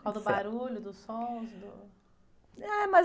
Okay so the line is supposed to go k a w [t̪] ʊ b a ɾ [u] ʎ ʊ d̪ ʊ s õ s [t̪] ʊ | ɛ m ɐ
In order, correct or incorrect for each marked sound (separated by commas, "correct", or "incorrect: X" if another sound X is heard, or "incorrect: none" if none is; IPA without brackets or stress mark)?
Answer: incorrect: d̪, correct, incorrect: d̪